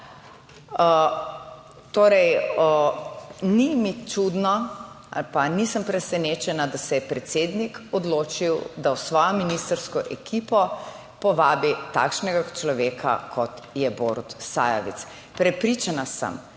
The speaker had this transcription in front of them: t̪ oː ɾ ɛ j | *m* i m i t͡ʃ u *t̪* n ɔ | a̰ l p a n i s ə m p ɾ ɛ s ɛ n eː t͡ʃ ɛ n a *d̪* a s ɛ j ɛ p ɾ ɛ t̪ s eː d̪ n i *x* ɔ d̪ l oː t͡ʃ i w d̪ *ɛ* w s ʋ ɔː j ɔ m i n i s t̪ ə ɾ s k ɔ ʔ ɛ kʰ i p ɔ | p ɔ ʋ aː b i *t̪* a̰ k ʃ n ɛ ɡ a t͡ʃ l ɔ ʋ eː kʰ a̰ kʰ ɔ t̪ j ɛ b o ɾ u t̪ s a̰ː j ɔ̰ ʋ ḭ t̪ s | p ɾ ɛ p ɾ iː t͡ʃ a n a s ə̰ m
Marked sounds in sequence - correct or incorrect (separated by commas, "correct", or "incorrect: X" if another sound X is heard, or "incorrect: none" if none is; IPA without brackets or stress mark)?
incorrect: n, incorrect: d̪, correct, incorrect: k, incorrect: a, correct